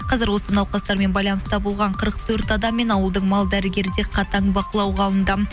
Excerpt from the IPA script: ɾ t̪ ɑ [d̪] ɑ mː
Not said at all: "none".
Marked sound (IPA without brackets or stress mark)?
d̪